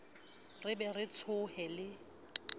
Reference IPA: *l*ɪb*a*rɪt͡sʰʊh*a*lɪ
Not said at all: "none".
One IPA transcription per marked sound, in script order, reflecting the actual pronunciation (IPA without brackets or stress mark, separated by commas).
r, ɛ, ɛ